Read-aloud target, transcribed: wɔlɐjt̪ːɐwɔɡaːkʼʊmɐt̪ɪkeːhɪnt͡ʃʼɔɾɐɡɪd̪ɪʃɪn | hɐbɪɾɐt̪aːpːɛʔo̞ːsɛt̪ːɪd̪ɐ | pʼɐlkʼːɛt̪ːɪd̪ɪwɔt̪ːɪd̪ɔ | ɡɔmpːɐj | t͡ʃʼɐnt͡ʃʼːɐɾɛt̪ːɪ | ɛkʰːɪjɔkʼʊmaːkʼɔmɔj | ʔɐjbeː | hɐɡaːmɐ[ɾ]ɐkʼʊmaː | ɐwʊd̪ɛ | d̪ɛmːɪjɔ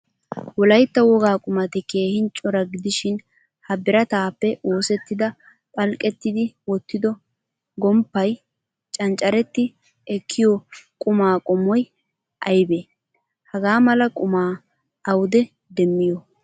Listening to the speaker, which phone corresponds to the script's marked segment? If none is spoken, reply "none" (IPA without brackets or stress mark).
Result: l